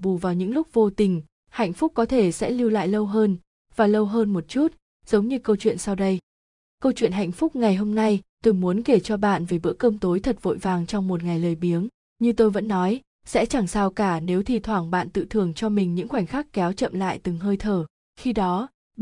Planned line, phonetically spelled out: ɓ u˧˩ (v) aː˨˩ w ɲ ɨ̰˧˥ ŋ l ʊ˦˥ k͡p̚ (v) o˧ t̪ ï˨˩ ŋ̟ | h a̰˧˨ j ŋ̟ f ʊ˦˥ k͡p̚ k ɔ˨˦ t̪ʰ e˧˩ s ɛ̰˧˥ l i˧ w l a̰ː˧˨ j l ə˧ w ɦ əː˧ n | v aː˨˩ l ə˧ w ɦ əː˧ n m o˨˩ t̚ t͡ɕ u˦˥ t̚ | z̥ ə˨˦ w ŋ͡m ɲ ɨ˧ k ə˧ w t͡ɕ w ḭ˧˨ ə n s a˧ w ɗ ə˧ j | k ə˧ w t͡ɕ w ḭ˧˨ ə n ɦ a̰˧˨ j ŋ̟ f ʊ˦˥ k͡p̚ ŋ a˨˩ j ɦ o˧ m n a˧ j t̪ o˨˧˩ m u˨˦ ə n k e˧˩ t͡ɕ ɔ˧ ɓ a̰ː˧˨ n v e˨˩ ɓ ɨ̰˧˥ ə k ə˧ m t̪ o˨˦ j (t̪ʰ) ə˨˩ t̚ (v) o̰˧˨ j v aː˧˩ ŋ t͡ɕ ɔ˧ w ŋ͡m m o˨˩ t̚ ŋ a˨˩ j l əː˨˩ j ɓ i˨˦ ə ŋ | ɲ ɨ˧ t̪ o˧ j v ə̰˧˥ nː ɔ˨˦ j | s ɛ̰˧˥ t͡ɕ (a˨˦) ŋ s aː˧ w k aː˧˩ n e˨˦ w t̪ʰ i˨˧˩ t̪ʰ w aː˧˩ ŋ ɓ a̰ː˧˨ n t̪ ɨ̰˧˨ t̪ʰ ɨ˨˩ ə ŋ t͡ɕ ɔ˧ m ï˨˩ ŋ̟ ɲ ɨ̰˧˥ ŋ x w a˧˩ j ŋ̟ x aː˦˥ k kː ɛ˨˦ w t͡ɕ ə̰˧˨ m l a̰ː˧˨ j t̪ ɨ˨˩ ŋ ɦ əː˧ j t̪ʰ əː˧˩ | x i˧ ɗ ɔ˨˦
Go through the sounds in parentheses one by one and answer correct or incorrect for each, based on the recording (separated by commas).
correct, correct, correct, correct, incorrect